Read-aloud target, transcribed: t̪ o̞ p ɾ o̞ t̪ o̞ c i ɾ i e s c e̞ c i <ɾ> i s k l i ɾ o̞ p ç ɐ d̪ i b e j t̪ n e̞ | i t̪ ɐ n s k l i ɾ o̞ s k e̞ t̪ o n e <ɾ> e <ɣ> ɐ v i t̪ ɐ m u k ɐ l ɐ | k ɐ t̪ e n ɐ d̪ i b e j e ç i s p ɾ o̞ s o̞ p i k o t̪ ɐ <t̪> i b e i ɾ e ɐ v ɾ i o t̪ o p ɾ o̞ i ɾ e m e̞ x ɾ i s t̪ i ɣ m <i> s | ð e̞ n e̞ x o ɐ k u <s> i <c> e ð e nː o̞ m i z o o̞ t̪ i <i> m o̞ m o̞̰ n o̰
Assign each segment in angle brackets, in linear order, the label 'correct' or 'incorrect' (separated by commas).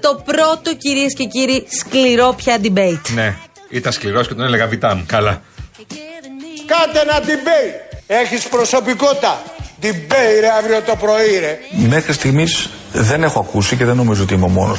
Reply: correct, incorrect, correct, incorrect, correct, correct, correct, correct